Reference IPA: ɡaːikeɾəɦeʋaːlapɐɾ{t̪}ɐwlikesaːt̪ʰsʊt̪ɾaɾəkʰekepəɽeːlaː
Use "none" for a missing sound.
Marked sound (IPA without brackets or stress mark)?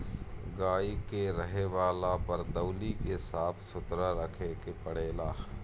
d̪